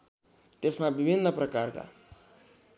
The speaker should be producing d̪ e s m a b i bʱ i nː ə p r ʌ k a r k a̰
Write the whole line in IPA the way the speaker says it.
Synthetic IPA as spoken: t̪ e s m a b i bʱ i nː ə p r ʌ k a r k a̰